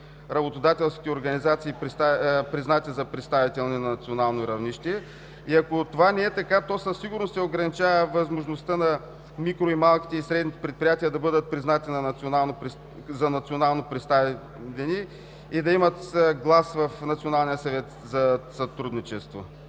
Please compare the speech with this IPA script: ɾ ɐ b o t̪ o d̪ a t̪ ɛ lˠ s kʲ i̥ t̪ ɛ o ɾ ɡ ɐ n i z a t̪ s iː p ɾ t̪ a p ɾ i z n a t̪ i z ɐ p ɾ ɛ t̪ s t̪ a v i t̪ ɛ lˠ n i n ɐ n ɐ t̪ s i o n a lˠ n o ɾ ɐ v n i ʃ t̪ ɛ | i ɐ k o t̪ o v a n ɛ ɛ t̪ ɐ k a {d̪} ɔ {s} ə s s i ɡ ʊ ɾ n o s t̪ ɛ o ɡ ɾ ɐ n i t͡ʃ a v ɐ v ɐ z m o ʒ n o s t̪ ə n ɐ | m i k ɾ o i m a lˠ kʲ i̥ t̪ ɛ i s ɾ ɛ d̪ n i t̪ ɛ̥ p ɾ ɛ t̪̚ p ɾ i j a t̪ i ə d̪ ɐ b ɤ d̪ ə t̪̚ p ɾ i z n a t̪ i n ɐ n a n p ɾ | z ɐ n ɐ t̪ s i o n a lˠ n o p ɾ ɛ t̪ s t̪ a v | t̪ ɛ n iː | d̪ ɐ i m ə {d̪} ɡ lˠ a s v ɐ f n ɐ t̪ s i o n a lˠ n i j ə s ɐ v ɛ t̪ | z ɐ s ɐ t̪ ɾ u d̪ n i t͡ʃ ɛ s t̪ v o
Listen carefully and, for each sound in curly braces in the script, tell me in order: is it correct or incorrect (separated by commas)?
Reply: incorrect, correct, incorrect